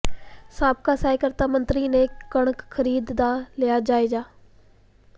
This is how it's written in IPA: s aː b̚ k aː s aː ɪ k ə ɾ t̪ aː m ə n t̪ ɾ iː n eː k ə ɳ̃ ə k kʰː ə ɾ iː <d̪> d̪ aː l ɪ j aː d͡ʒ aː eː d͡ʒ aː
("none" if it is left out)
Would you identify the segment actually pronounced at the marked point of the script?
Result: d̪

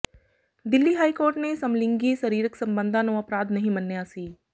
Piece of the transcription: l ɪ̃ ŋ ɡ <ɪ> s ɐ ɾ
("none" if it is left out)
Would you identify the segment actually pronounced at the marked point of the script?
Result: i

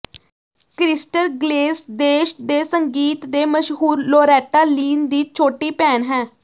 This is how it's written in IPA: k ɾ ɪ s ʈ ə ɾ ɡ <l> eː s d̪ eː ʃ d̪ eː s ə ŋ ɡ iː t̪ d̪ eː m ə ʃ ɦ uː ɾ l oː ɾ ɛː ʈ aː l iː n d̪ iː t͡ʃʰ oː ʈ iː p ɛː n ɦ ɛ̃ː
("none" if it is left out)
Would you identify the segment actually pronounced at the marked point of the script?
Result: l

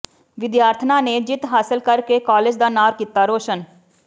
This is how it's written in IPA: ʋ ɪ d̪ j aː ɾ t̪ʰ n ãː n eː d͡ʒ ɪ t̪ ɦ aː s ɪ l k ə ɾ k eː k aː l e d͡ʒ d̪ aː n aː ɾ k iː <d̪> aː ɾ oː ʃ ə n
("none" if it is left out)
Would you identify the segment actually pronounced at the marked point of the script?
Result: t̪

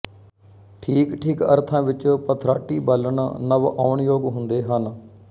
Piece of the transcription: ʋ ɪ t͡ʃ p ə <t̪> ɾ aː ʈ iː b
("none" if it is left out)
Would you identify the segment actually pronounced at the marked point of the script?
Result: t̪ʰ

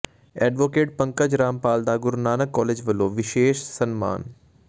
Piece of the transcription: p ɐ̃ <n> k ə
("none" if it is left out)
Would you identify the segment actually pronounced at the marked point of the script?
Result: ŋ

